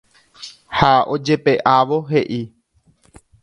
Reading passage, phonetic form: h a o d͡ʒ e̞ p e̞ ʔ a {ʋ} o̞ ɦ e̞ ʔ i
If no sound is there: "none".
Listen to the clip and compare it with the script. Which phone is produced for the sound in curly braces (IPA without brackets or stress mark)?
ʋ